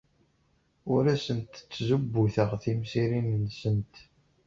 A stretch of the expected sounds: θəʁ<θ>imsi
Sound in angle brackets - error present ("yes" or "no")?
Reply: no